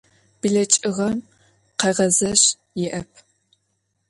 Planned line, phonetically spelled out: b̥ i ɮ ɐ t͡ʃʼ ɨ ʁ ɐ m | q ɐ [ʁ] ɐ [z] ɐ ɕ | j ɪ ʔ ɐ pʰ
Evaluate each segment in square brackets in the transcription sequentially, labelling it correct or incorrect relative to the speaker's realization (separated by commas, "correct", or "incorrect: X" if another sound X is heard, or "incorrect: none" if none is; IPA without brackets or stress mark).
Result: correct, correct